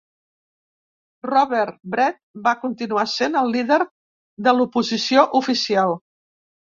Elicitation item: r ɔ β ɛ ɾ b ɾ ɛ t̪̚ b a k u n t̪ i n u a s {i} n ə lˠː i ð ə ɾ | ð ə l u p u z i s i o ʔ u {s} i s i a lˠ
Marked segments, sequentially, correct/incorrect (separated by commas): incorrect, incorrect